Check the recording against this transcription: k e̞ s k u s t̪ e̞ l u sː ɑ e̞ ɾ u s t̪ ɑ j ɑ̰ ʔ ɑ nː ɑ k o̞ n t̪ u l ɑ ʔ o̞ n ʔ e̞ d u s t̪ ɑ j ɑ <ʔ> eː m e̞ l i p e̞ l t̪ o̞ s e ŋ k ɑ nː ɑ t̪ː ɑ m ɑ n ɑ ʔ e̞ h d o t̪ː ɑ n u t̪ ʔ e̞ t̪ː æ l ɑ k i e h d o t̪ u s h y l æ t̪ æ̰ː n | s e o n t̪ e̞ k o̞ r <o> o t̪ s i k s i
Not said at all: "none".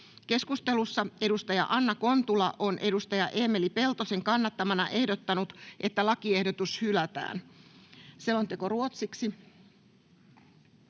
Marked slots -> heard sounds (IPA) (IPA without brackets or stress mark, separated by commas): ʔ, u